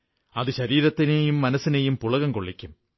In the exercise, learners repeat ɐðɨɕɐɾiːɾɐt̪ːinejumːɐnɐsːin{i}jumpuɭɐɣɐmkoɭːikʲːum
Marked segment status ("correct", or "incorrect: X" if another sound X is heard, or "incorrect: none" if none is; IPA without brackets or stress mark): incorrect: e